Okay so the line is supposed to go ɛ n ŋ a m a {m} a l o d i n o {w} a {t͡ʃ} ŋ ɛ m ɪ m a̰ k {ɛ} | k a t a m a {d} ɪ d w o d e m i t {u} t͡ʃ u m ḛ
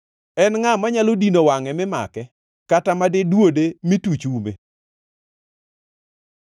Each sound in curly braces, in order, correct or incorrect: incorrect: ɲ, correct, incorrect: none, correct, correct, correct

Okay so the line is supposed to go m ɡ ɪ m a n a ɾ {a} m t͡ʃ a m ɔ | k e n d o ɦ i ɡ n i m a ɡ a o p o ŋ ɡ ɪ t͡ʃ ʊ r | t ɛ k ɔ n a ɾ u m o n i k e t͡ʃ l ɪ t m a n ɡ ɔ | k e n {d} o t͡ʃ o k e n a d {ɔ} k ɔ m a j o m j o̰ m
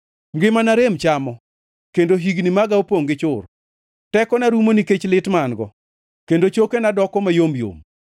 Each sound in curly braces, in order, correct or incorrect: incorrect: e, correct, correct

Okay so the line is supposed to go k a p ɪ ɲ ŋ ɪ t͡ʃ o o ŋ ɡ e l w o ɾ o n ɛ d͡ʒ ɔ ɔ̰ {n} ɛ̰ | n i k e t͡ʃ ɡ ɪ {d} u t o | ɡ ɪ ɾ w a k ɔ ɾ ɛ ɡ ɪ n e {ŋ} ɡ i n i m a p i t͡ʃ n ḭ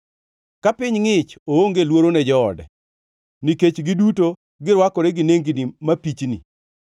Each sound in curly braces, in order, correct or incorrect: incorrect: d, correct, correct

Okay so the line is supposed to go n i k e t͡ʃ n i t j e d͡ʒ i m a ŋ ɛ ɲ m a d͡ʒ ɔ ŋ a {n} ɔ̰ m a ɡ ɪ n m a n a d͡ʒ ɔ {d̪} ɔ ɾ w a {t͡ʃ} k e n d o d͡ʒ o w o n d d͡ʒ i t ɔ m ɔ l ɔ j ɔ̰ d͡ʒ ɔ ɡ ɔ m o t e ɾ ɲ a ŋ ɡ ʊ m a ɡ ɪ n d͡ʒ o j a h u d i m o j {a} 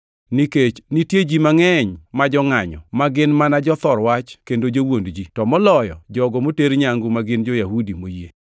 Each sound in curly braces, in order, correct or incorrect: incorrect: ɲ, incorrect: t̪, correct, incorrect: e

